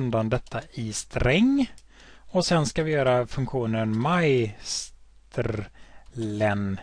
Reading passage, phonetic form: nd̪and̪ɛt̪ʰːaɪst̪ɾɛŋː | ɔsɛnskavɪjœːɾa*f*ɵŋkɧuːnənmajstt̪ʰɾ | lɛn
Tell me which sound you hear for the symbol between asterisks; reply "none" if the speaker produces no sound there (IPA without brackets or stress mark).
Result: f